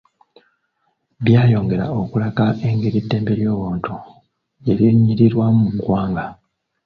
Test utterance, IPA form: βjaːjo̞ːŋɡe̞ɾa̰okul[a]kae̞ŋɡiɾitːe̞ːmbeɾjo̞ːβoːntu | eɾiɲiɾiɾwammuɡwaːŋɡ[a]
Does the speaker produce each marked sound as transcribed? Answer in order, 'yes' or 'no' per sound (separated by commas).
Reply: yes, yes